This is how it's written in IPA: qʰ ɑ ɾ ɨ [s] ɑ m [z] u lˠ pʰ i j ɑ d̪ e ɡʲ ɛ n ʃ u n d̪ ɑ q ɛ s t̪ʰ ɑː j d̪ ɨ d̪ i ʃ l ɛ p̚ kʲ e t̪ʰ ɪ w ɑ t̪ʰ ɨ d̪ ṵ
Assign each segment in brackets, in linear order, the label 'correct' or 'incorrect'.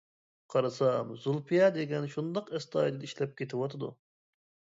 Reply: correct, correct

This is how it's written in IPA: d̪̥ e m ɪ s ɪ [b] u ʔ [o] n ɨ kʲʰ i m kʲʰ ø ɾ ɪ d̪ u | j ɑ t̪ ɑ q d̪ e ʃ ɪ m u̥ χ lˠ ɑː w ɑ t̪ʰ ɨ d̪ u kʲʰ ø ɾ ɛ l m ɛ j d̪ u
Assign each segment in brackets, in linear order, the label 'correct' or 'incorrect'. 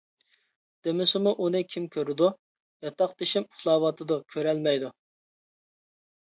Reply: incorrect, incorrect

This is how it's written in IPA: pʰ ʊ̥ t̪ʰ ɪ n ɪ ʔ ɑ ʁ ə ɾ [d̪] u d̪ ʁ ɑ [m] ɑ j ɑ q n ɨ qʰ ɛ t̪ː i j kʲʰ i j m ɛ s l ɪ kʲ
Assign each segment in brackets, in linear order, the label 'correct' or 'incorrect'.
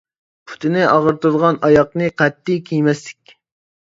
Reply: incorrect, incorrect

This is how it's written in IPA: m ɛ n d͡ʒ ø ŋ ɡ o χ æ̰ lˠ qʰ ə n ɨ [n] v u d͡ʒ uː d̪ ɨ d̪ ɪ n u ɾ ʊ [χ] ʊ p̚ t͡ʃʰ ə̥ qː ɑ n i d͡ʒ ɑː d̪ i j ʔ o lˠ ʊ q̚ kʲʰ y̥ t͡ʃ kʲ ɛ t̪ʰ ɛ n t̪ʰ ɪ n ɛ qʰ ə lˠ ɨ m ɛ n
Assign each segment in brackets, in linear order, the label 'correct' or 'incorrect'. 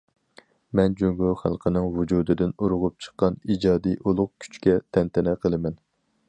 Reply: incorrect, incorrect

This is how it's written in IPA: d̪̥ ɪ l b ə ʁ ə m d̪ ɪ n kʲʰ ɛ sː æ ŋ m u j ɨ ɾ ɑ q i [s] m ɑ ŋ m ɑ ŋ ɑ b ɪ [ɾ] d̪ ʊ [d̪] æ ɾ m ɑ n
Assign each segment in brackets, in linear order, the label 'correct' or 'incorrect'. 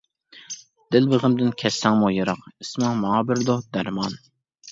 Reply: correct, correct, correct

